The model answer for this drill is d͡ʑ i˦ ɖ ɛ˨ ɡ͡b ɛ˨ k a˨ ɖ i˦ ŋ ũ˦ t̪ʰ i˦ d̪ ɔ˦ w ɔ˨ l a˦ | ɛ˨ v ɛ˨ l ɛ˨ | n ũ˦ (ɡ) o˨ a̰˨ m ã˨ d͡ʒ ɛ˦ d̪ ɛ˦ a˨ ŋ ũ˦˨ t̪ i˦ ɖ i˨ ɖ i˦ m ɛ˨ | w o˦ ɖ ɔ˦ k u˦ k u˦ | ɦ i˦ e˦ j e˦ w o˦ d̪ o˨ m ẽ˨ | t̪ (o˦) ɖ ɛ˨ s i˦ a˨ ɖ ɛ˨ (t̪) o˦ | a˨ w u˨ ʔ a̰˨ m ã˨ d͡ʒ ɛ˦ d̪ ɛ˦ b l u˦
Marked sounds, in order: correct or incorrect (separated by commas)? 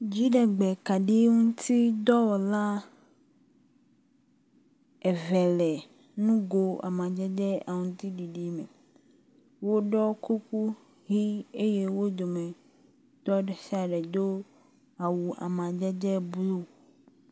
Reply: correct, incorrect, incorrect